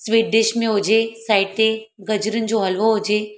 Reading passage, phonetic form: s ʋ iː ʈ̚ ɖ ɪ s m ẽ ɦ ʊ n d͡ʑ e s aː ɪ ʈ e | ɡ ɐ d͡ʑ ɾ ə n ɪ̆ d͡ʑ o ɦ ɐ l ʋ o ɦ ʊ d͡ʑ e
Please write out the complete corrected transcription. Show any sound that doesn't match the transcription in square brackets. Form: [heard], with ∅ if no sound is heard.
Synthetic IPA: s ʋ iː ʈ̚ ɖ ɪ [ʃ] m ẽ ɦ ʊ [∅] d͡ʑ e s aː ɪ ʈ e | ɡ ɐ d͡ʑ ɾ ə n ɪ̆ d͡ʑ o ɦ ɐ l ʋ o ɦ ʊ d͡ʑ e